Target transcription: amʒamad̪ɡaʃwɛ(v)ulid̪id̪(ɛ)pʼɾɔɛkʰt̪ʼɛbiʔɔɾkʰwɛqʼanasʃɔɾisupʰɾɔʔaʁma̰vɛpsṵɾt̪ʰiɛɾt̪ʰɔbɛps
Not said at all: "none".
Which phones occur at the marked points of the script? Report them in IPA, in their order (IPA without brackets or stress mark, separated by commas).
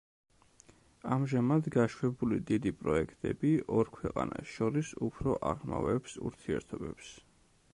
b, i